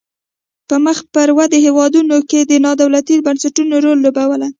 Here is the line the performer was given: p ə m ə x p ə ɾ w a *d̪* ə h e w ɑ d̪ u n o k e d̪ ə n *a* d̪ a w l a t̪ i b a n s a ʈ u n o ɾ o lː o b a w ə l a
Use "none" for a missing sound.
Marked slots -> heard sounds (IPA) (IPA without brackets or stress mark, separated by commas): d̪, ɑ